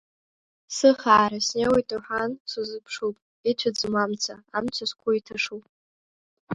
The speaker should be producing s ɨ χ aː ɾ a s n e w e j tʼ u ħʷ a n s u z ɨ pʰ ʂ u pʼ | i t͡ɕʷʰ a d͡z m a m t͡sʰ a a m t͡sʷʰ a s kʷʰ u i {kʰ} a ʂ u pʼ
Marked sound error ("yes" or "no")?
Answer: yes